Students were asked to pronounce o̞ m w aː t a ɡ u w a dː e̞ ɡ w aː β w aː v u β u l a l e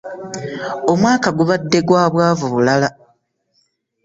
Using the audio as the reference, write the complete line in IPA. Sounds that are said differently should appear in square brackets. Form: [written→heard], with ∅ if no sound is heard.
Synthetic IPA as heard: o̞ m w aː [t→k] a ɡ u [w→β] a dː e̞ ɡ w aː β w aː v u β u l a l [e→a]